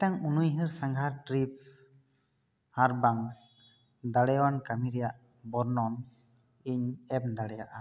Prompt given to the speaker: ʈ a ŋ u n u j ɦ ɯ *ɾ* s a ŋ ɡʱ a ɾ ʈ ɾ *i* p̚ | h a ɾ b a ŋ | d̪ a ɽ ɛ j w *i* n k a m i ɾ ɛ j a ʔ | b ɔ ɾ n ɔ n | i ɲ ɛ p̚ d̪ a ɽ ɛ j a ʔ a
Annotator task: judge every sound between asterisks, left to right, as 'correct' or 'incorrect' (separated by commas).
correct, correct, incorrect